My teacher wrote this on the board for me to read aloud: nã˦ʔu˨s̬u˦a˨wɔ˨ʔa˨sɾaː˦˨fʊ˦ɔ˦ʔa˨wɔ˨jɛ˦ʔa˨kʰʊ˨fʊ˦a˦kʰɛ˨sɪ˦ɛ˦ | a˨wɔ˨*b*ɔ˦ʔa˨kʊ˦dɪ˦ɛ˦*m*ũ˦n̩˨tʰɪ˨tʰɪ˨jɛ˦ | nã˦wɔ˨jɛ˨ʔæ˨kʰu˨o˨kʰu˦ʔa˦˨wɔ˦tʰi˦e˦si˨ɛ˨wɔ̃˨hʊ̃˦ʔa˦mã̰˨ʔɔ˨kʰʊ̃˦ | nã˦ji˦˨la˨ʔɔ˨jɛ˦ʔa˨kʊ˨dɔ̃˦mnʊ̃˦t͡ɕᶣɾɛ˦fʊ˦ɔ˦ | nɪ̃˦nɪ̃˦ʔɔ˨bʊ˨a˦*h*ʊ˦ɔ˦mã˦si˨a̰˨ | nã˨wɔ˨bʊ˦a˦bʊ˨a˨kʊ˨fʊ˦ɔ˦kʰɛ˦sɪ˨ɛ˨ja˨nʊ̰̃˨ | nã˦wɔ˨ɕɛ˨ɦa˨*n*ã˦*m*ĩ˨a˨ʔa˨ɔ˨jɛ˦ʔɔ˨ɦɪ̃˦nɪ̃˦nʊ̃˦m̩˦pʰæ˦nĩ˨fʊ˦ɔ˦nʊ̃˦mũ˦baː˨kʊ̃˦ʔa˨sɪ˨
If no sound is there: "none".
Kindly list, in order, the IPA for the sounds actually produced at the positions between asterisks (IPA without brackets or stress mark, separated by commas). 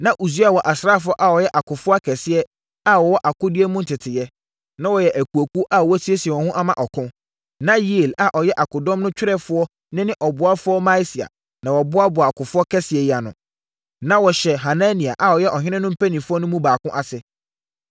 w, m, f, n, n